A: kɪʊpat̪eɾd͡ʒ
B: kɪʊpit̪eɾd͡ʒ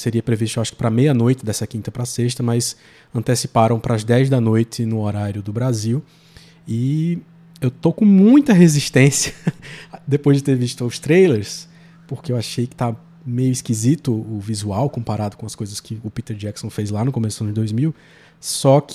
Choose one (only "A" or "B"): B